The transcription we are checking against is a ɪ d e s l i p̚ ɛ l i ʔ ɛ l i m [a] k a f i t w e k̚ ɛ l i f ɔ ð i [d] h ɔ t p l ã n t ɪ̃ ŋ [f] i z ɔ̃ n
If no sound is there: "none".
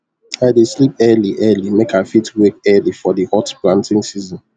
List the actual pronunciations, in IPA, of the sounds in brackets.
e, none, s

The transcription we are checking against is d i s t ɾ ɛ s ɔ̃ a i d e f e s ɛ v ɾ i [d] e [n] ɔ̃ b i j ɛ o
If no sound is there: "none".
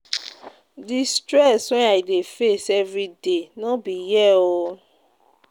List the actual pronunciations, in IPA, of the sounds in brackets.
d, n

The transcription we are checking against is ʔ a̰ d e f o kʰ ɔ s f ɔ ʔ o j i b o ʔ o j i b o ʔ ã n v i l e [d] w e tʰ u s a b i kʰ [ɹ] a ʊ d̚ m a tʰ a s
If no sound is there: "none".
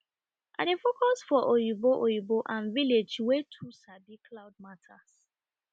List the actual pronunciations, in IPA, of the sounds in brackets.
d͡ʒ, l

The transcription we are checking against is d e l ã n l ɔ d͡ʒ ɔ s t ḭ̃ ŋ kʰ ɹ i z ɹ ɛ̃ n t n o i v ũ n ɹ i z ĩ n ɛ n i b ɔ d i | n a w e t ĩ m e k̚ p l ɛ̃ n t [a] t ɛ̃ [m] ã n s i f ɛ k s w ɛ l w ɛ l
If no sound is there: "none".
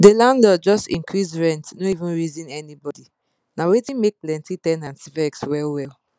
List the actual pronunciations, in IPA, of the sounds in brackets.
i, n

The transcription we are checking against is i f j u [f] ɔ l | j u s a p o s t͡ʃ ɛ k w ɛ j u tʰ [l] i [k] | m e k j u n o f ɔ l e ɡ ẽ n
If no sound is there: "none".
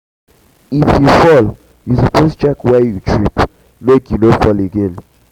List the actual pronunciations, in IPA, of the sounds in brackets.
f, ɹ, p

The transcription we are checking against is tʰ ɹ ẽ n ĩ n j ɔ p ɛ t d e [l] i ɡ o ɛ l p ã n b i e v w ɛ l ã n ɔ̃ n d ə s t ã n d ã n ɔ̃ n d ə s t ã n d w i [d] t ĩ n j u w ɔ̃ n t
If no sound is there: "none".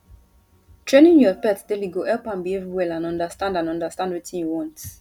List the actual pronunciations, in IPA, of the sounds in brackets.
l, none

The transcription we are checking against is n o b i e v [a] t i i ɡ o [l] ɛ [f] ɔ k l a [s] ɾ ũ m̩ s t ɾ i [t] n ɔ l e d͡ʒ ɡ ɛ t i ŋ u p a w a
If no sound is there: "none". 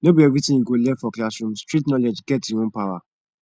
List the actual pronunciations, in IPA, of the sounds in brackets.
i, l, f, s, t

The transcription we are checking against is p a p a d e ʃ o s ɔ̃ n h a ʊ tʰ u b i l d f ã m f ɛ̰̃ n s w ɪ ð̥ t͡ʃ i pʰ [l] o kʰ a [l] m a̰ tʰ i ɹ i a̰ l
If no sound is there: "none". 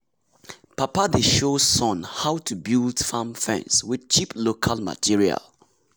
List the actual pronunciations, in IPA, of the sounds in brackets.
l, l

